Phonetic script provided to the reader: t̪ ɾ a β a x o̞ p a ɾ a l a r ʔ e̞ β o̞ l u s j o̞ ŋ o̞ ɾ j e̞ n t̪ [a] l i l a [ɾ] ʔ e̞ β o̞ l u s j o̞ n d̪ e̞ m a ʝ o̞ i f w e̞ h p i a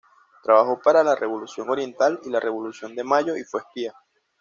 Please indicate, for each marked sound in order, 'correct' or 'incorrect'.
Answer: correct, incorrect

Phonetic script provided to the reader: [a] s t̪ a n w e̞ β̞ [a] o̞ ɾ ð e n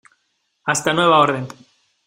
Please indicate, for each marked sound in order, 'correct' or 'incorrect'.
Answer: correct, correct

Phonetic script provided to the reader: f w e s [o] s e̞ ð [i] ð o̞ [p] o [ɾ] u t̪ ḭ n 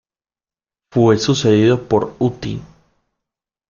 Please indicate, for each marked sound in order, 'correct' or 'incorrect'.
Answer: incorrect, correct, correct, correct

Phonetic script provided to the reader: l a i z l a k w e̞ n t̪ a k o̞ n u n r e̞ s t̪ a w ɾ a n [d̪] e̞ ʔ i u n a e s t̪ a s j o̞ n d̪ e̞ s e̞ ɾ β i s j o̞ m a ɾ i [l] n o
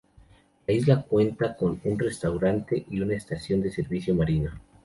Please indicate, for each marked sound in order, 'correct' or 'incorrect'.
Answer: incorrect, incorrect

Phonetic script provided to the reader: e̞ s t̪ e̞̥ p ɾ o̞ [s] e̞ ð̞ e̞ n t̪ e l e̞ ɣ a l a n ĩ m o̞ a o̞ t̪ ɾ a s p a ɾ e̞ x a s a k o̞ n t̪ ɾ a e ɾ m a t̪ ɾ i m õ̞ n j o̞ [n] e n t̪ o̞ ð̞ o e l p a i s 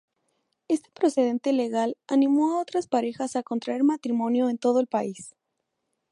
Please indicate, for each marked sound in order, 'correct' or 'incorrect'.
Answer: correct, incorrect

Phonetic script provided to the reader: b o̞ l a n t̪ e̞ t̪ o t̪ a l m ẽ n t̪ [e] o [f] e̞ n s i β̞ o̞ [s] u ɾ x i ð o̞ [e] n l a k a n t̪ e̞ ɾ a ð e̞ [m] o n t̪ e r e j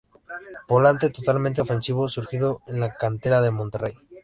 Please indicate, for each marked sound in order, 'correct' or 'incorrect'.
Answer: correct, correct, correct, correct, correct

